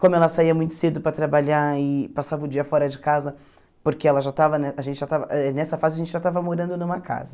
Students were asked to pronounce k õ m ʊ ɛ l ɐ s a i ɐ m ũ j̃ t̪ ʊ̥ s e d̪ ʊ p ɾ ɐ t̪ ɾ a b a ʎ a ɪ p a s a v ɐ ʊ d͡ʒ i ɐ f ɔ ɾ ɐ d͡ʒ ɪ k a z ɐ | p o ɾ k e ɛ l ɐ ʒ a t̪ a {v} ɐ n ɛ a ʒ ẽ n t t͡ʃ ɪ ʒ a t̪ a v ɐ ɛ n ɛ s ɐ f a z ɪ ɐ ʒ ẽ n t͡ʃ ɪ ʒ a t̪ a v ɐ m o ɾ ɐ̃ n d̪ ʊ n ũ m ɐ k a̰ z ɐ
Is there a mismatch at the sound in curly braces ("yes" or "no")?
no